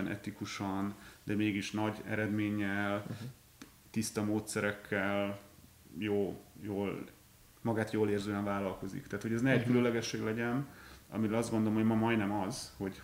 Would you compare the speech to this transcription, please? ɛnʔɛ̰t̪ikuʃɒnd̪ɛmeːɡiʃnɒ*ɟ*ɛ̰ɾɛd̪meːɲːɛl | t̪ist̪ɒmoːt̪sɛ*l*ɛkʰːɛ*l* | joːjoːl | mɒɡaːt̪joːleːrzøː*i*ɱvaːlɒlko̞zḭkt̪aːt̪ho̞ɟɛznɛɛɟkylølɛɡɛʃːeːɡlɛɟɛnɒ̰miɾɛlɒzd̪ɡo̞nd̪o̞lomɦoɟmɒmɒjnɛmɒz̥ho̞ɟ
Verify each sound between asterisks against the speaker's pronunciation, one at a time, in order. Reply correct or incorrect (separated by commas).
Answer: correct, incorrect, correct, incorrect